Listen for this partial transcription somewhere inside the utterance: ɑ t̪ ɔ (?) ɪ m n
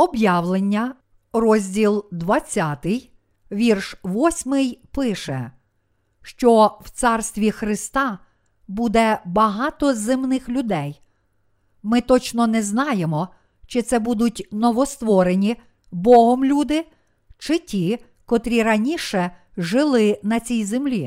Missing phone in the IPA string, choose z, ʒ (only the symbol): z